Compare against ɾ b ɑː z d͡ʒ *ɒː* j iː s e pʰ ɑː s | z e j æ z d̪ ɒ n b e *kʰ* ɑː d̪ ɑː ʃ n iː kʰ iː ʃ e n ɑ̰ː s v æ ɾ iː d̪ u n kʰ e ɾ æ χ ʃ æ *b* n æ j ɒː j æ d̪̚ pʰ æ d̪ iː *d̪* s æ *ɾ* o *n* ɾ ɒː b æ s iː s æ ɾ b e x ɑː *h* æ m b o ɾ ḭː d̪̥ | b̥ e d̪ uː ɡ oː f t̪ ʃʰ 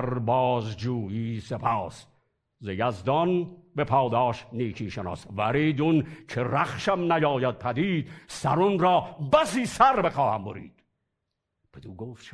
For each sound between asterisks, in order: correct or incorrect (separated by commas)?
incorrect, incorrect, incorrect, correct, correct, correct, correct